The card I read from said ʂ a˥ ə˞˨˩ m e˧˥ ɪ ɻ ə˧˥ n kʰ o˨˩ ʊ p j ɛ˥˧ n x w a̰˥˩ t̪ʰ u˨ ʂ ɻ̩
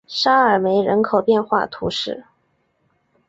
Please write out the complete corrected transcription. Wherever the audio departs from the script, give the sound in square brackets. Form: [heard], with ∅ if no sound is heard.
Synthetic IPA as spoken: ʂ a˥ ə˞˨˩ m e˧˥ ɪ ɻ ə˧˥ n kʰ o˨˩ ʊ p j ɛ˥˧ n x w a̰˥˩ t̪ʰ [u˧˥] ʂ ɻ̩